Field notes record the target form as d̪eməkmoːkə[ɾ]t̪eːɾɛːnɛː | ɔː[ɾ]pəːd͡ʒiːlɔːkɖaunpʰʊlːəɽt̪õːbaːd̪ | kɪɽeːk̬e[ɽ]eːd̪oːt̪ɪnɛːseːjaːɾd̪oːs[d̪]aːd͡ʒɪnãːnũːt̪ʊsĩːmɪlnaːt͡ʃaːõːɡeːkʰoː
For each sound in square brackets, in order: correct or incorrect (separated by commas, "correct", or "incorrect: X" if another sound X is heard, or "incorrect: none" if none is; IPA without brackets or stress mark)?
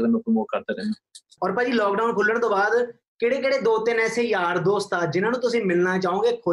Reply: correct, correct, correct, incorrect: t̪